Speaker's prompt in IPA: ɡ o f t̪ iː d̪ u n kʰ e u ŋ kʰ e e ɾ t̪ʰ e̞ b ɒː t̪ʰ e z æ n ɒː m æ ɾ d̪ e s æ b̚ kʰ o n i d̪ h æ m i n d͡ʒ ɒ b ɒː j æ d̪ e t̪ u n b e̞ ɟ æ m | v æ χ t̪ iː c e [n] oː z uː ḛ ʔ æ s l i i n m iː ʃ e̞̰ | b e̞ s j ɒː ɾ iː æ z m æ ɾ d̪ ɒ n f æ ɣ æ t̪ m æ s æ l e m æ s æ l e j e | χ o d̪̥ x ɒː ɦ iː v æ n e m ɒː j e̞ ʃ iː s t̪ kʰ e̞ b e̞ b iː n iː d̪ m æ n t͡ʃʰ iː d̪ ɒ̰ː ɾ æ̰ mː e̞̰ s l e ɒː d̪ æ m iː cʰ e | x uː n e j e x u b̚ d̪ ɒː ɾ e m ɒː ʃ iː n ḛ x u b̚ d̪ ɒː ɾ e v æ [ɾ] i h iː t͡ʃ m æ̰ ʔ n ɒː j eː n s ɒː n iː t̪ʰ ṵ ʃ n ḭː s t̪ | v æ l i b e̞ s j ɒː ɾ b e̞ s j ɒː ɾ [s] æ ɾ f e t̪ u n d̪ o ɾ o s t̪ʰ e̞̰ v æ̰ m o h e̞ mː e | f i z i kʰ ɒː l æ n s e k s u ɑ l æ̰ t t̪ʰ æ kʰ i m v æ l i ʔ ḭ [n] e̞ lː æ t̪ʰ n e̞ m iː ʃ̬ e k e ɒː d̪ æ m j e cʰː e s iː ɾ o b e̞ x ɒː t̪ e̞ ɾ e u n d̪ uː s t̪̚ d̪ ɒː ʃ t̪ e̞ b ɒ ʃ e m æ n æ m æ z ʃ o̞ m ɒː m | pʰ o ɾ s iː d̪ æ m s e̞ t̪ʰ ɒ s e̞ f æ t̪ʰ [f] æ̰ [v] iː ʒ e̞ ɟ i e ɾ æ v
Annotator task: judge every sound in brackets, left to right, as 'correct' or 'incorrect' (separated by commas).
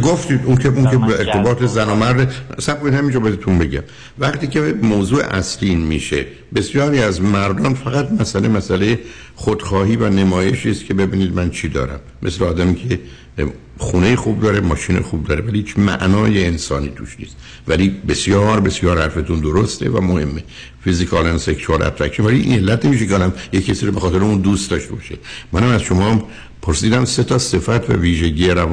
incorrect, incorrect, incorrect, correct, incorrect, correct